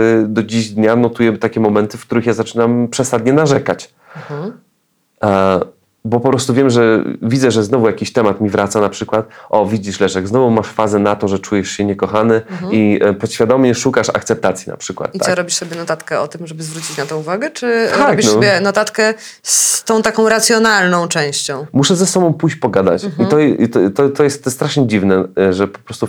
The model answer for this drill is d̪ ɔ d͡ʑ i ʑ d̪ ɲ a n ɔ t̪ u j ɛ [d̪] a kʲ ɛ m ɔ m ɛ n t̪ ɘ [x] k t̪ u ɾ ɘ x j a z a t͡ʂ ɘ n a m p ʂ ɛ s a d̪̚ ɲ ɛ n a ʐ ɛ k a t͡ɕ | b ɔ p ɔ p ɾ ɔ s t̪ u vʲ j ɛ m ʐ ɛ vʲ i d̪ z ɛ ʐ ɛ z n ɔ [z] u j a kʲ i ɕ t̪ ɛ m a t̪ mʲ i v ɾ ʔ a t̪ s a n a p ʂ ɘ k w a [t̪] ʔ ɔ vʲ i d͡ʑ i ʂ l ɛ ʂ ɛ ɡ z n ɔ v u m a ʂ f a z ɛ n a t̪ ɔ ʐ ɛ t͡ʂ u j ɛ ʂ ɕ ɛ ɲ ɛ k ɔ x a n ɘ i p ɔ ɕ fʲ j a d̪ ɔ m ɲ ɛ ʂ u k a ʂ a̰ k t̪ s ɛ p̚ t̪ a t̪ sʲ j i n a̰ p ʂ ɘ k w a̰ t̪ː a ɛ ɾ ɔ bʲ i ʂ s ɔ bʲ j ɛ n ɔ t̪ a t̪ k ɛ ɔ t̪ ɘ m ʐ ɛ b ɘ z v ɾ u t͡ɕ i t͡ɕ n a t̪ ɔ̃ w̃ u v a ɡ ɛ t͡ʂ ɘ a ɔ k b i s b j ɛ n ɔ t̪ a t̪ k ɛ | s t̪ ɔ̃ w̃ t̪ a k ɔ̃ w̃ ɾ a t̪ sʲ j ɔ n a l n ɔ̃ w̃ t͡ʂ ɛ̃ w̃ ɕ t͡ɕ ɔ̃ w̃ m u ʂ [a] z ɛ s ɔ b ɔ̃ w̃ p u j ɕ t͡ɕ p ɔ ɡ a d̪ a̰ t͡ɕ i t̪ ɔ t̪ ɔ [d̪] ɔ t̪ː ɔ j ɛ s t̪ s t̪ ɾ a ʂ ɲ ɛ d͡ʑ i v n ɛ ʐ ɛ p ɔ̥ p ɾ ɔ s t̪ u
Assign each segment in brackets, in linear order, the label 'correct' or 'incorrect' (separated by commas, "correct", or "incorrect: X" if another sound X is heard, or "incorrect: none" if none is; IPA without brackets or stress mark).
incorrect: t̪, incorrect: f, incorrect: v, correct, incorrect: ɛ, incorrect: t̪